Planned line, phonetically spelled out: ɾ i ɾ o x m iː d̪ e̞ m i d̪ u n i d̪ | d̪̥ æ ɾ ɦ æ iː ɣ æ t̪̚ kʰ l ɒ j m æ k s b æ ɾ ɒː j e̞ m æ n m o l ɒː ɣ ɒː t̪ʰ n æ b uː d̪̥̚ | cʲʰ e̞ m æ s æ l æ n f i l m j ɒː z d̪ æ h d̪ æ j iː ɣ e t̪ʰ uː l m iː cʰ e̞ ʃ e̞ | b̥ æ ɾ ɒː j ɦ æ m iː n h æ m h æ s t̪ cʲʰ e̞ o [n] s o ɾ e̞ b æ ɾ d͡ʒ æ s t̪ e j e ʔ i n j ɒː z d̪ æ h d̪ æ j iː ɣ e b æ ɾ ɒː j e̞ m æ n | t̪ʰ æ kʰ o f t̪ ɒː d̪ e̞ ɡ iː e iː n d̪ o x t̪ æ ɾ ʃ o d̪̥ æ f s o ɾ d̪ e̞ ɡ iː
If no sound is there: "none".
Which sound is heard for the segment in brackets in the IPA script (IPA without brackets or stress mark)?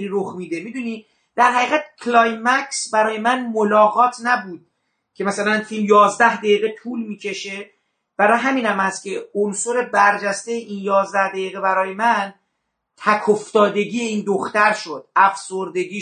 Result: n